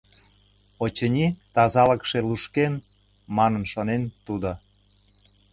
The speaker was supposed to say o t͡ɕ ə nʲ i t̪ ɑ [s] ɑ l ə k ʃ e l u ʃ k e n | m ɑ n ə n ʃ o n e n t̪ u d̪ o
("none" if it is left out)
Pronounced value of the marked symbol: z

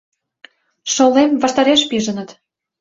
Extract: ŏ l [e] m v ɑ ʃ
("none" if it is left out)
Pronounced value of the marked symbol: e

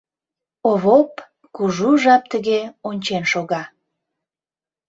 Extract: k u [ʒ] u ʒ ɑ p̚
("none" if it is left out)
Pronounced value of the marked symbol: ʒ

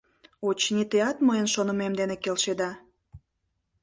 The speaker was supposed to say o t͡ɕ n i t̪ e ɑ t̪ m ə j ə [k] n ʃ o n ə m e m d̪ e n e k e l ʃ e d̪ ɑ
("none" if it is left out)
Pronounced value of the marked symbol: none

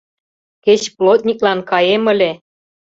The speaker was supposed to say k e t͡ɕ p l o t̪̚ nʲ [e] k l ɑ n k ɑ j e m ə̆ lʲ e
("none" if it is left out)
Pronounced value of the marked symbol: i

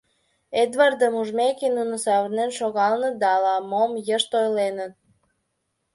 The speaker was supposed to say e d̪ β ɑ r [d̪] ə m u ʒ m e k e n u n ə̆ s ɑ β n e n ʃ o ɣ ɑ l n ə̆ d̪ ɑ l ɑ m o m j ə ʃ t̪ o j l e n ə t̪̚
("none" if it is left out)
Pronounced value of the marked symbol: d̪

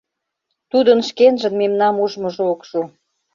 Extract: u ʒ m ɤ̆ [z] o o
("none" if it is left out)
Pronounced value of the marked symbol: ʒ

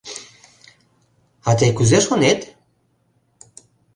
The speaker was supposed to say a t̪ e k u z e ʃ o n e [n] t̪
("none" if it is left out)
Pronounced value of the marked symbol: none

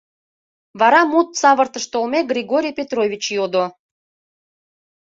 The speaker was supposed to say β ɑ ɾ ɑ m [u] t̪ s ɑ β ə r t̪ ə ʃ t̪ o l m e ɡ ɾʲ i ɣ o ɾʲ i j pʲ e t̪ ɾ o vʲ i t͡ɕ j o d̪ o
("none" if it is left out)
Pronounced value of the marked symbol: u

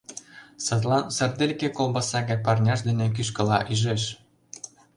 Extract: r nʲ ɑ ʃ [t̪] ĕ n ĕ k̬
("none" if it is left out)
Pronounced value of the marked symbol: d̪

